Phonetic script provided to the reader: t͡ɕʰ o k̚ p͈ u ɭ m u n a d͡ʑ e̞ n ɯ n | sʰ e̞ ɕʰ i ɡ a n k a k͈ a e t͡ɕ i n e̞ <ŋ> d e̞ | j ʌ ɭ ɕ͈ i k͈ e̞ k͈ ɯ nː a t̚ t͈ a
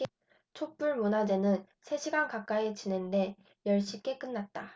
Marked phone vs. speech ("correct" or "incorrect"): incorrect